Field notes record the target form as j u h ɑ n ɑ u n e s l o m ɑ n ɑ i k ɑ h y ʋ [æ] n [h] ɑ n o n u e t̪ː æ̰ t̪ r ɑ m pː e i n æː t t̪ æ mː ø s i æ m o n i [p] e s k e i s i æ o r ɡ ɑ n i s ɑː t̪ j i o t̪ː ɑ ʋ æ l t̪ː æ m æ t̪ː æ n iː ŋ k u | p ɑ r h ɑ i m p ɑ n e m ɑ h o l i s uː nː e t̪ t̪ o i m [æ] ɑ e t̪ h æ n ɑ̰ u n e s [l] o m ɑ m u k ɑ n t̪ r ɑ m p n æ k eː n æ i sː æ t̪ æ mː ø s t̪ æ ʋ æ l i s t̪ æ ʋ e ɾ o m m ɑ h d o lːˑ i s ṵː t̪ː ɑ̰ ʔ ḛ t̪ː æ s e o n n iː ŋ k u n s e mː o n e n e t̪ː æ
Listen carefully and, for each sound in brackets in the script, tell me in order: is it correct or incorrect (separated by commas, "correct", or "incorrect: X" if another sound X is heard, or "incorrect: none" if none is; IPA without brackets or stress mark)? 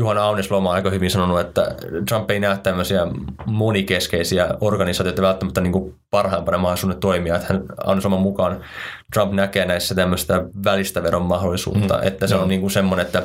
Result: incorrect: i, incorrect: s, incorrect: k, incorrect: i, correct